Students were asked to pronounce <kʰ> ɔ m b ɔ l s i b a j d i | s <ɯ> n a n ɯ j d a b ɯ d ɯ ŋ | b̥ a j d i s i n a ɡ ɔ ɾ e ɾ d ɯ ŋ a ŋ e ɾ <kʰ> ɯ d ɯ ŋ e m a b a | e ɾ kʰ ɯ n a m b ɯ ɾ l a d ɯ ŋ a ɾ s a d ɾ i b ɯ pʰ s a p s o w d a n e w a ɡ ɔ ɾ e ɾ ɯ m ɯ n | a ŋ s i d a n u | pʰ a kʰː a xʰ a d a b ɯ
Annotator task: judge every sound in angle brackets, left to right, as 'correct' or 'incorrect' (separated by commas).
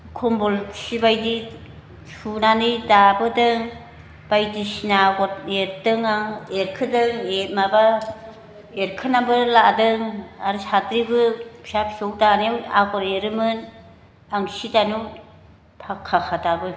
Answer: correct, incorrect, correct